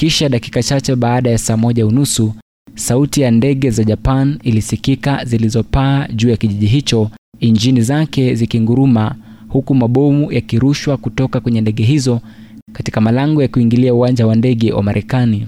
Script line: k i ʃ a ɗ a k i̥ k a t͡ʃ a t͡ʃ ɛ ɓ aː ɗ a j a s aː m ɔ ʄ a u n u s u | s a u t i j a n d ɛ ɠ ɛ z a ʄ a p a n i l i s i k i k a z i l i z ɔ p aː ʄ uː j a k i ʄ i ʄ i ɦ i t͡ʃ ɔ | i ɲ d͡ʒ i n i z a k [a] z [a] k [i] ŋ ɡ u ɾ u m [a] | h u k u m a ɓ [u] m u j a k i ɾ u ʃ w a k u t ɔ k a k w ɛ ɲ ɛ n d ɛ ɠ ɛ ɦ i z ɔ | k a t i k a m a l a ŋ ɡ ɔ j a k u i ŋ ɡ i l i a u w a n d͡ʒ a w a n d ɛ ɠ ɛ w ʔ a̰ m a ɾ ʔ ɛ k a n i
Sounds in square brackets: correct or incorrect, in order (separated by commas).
incorrect, incorrect, correct, correct, incorrect